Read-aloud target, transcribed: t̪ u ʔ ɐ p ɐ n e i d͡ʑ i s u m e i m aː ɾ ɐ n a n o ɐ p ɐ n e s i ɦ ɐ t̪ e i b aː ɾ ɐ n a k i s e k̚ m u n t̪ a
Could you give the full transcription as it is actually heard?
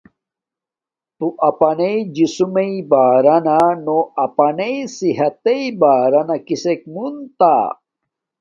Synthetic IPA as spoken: t̪ u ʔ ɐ p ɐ n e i d͡ʑ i s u m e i b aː ɾ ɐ n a n o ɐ p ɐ n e s i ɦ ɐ t̪ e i b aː ɾ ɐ n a k i s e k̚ m u n t̪ a